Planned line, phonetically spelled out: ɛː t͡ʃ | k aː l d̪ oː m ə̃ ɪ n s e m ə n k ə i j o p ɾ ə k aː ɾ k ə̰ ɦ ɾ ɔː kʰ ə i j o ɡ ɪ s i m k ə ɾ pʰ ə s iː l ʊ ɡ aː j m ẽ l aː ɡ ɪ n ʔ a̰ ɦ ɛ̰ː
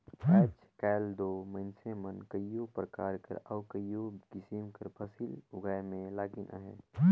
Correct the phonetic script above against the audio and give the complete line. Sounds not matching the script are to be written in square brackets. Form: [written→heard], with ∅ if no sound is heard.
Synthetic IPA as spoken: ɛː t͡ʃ | k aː l d̪ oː m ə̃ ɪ n s e m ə n k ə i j o p ɾ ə k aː ɾ k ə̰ [ɦ→∅] ɾ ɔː [kʰ→k] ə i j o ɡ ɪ s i m k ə ɾ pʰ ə s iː l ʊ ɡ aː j m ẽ l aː ɡ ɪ n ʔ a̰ ɦ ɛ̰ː